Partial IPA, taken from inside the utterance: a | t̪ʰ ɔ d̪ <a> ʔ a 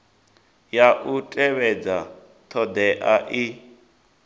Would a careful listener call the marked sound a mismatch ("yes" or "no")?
yes